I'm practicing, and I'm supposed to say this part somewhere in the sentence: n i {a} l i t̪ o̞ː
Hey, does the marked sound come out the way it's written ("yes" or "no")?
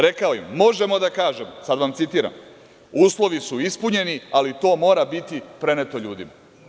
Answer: yes